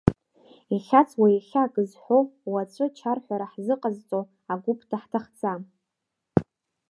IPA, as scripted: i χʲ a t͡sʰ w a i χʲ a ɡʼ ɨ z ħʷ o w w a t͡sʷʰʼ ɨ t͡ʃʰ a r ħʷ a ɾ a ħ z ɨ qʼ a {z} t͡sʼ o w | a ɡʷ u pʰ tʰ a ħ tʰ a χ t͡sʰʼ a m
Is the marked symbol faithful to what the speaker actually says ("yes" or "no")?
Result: yes